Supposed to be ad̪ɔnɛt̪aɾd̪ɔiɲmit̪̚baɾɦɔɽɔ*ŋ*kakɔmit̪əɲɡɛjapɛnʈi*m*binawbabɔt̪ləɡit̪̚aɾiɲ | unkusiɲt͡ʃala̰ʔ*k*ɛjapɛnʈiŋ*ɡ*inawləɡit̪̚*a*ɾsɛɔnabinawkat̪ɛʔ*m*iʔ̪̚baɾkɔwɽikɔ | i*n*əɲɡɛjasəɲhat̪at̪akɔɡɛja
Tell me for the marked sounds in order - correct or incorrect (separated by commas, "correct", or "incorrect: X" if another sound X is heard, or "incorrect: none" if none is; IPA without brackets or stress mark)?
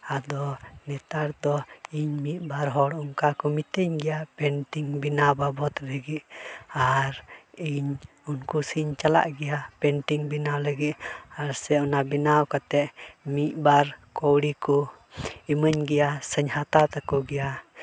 correct, incorrect: ŋ, incorrect: ɡ, incorrect: b, correct, correct, incorrect: m